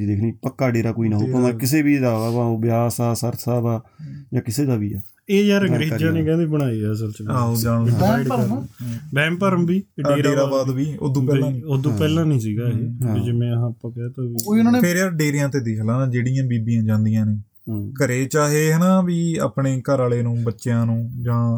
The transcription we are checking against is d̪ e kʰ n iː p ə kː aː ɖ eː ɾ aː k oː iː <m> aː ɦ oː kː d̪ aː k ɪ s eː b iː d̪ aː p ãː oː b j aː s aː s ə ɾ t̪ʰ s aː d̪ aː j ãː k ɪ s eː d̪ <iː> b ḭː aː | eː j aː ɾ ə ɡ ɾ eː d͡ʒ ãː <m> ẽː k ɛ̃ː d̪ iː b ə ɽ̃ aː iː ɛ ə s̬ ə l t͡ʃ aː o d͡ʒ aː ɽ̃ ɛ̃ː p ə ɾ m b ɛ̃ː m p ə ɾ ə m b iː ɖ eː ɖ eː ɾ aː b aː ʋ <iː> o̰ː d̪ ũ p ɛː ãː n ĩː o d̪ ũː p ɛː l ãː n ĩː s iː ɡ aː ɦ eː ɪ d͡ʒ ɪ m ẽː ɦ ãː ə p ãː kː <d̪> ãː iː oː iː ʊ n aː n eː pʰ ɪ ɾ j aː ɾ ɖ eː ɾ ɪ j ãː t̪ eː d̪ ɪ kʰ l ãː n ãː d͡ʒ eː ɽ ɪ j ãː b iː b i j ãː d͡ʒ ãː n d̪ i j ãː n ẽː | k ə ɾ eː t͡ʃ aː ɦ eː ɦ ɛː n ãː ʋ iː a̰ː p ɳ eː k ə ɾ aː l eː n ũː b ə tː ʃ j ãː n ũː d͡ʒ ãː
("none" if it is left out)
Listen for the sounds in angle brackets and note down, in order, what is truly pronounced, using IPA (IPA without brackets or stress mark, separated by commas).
n, aː, n, iː, t̪